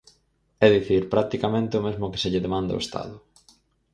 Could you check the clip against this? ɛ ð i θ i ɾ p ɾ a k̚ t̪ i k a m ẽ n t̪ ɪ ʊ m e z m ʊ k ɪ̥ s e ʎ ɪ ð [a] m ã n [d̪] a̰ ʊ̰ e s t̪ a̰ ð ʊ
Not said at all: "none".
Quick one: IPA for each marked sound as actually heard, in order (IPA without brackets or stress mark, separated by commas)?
e, d̪